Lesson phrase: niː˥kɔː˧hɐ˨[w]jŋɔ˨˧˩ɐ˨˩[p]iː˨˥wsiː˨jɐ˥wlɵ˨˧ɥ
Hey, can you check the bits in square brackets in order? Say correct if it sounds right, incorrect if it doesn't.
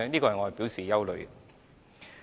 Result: incorrect: none, correct

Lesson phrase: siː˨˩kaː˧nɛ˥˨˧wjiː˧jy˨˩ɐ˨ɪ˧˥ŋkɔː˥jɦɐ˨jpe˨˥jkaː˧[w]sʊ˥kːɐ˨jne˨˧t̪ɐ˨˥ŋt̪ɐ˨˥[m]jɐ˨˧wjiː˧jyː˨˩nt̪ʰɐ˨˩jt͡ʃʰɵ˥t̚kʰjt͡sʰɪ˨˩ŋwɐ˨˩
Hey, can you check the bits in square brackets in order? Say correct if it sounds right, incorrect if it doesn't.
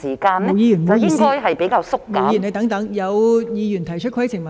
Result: correct, incorrect: ŋ

